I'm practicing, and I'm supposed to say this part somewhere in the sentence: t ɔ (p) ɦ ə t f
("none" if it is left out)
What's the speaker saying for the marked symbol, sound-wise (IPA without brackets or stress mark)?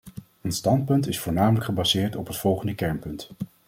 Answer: p